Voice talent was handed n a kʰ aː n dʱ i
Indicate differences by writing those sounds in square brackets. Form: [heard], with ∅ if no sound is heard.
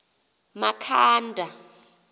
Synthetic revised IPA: [m] a kʰ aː n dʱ [a]